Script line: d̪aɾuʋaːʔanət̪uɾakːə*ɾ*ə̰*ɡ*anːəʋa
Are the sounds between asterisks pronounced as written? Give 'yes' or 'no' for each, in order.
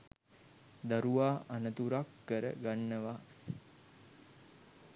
yes, yes

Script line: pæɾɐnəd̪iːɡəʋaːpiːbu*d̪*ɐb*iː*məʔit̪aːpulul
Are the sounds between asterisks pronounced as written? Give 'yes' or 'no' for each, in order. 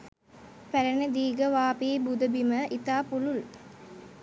yes, no

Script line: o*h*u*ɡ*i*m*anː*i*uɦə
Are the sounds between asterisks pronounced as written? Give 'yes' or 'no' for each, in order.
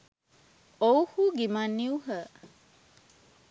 yes, yes, yes, yes

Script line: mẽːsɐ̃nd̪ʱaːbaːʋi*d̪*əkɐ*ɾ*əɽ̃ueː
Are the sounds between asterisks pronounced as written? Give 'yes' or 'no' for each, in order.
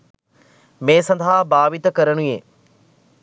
no, yes

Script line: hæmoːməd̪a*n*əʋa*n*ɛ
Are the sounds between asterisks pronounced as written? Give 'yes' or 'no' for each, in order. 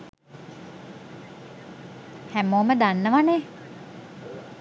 no, yes

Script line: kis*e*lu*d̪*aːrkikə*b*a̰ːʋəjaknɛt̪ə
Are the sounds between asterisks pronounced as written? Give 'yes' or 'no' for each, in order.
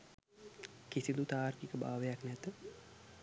no, no, yes

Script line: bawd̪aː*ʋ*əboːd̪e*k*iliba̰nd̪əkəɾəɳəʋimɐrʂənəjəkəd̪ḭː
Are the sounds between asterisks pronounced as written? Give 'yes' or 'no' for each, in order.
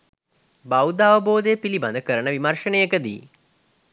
yes, no

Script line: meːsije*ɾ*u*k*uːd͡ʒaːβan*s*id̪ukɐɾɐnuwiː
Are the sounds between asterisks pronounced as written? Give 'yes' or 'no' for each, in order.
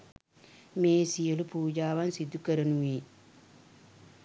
no, no, yes

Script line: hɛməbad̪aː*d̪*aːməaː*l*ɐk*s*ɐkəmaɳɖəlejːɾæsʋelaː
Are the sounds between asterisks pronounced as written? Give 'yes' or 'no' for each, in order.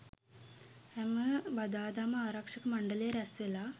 yes, no, no

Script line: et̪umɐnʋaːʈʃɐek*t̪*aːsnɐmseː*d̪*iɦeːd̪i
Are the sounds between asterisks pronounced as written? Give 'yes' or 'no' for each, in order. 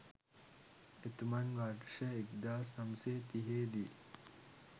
no, no

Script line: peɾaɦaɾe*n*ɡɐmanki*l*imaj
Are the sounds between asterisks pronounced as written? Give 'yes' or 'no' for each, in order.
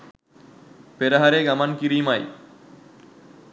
no, no

